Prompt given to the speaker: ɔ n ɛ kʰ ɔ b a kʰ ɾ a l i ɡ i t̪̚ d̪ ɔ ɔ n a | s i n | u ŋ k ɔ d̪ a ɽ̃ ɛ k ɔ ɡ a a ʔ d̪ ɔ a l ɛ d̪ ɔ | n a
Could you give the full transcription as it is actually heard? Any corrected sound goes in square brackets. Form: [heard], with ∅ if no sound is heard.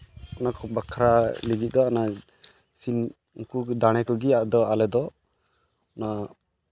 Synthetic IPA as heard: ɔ n [a] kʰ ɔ b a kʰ ɾ a l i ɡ i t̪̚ d̪ ɔ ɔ n a | s i n | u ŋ k [u] d̪ a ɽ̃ ɛ k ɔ ɡ [i] a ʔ d̪ ɔ a l ɛ d̪ ɔ | n a